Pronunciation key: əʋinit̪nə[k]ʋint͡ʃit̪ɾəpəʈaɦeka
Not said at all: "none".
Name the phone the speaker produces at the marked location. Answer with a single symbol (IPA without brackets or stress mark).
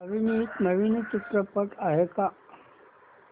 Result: none